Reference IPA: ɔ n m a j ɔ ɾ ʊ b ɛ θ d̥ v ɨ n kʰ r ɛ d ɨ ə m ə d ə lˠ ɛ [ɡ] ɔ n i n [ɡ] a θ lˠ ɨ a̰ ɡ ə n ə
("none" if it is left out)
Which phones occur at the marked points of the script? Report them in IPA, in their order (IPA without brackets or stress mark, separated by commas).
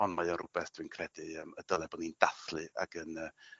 b, d